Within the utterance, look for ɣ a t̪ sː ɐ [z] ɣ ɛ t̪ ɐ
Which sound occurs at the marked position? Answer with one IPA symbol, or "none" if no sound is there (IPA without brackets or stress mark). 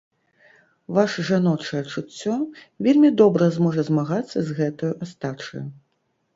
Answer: z